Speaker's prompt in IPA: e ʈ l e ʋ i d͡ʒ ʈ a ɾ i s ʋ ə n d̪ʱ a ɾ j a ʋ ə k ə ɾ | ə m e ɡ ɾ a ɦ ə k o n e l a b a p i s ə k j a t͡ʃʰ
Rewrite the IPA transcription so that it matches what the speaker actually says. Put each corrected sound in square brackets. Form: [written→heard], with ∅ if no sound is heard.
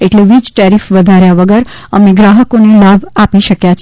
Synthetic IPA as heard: e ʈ l e ʋ i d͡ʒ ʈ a ɾ i [s→f] ʋ ə [n→∅] d̪ʱ a ɾ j a ʋ ə [k→ɡ] ə ɾ | ə m e ɡ ɾ a ɦ ə k o n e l a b a p i [s→ʃ] ə k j a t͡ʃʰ